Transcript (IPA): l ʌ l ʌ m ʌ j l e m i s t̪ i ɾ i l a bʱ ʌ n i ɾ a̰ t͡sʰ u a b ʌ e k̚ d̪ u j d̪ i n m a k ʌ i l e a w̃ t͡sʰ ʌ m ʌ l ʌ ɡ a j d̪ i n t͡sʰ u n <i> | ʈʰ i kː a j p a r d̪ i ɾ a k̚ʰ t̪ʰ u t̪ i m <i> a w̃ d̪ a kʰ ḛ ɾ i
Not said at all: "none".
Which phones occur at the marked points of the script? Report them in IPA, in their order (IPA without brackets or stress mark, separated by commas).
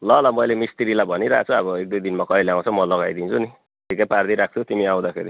i, i